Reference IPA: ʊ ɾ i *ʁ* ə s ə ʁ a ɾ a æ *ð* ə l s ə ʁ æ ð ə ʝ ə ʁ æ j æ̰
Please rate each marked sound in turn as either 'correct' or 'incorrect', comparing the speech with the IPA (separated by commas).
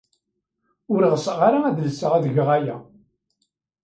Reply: correct, correct